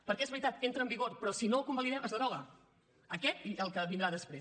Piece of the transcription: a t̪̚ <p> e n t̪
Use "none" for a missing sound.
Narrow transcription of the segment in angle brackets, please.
k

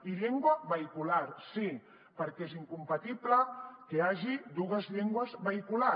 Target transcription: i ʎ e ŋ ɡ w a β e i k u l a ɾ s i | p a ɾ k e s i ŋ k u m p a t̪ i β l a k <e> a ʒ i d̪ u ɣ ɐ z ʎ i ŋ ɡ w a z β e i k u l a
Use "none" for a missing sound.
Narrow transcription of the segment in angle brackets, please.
e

